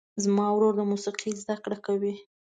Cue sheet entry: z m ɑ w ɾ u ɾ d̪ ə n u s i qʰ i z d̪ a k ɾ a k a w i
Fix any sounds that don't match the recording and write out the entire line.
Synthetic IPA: z m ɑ w ɾ o ɾ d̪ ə m u s i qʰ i z d̪ a k ɽ a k a w i